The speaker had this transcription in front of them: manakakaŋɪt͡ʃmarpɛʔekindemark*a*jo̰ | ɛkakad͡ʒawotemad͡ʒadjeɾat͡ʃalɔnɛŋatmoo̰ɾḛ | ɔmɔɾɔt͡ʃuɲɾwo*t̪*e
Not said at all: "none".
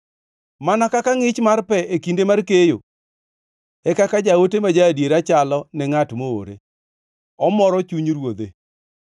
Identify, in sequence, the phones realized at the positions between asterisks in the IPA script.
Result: e, d̪

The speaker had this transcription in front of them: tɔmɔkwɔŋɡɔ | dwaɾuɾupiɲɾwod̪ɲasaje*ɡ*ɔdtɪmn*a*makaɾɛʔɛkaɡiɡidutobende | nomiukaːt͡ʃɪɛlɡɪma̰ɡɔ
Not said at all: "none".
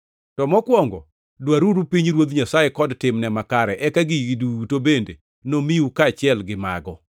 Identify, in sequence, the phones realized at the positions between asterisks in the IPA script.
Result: k, ɛ

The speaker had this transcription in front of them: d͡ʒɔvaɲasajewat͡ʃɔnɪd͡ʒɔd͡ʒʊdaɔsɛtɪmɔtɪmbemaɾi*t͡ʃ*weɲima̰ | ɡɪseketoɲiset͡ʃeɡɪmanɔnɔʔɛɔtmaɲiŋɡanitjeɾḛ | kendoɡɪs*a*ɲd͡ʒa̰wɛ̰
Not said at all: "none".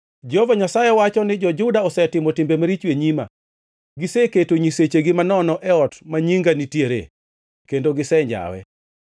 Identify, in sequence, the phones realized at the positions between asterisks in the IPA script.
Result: t͡ʃ, ɛ

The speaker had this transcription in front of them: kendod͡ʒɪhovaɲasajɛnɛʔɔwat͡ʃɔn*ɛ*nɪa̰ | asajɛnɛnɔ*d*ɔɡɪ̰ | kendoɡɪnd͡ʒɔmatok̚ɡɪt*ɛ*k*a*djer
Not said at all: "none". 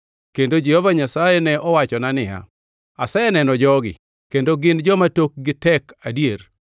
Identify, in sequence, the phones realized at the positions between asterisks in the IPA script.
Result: a, d͡ʒ, ɛ, a

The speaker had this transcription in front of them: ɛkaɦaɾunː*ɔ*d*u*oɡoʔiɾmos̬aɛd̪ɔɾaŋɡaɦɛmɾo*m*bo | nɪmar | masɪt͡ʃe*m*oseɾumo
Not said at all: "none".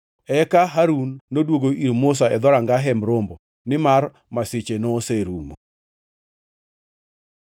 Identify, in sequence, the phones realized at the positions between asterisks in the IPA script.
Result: o, w, m, n

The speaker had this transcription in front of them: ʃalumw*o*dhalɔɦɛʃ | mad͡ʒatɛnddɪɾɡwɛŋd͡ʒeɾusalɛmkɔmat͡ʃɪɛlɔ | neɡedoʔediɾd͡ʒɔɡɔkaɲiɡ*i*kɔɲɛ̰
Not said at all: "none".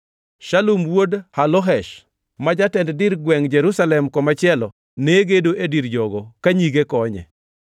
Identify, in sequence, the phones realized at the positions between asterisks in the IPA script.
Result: o, e

